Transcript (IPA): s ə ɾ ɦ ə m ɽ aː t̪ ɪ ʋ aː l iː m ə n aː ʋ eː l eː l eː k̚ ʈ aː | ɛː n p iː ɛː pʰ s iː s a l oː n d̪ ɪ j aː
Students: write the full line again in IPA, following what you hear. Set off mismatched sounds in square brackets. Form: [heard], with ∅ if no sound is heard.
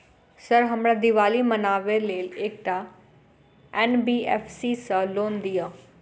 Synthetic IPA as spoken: s ə ɾ ɦ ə m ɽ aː [d̪] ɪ ʋ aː l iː m ə n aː ʋ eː l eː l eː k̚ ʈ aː | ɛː n [b] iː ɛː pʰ s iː s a l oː n d̪ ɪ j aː